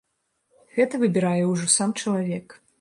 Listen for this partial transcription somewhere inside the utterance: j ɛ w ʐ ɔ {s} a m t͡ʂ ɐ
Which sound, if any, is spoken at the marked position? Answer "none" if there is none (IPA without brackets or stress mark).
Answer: s